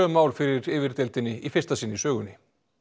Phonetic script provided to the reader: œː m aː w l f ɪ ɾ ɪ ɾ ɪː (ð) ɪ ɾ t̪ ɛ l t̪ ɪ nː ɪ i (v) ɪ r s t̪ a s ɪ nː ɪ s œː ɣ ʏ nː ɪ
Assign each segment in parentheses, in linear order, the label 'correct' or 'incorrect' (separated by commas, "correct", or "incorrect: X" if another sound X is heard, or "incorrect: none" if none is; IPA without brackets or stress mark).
incorrect: v, incorrect: f